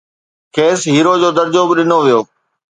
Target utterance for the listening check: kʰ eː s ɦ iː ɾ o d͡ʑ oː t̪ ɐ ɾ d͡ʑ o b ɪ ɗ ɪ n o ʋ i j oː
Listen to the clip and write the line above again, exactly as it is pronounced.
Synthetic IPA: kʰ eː s ɦ iː ɾ o d͡ʑ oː d̪ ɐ ɾ d͡ʑ o b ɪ ɗ ɪ n o ʋ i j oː